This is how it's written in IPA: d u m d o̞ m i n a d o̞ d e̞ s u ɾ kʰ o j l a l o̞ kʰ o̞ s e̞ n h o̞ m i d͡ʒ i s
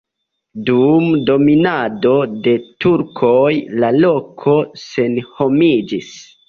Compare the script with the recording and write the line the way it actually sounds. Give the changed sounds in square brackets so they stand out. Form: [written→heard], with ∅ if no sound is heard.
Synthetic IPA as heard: d u m d o̞ m i n a d o̞ d e̞ [s→t] u ɾ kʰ o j l a l o̞ kʰ o̞ s e̞ n h o̞ m i d͡ʒ i s